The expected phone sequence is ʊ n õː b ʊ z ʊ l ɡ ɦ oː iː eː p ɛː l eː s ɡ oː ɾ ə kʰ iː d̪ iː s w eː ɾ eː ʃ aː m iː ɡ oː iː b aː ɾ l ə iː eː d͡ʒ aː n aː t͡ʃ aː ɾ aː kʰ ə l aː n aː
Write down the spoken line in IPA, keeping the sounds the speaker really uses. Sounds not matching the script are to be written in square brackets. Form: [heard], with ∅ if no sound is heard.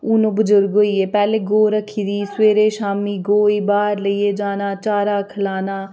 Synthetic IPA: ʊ n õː b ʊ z ʊ [ɾ] ɡ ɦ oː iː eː p ɛː l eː [∅] ɡ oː ɾ ə kʰ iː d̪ iː s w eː ɾ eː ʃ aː m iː ɡ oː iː b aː ɾ l ə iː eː d͡ʒ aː n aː t͡ʃ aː ɾ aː kʰ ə l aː n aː